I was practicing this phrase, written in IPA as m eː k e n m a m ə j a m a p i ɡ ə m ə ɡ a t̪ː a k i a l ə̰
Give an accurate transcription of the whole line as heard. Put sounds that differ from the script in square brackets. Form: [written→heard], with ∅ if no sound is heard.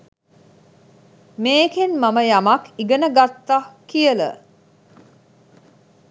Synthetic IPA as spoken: m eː k e n m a m ə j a m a [p→k] i ɡ ə [m→n] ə ɡ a t̪ː a k i [a→ə] l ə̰